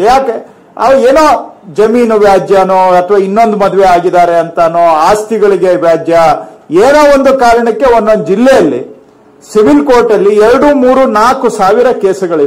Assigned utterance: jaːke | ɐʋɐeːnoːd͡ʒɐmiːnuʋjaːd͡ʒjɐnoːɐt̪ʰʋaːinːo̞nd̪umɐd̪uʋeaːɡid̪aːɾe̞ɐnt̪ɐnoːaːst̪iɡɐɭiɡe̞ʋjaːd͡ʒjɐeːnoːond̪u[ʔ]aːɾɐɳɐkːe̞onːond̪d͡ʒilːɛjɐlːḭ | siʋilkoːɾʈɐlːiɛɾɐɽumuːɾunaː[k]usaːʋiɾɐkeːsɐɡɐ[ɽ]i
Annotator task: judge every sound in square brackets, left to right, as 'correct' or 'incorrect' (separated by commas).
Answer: incorrect, correct, incorrect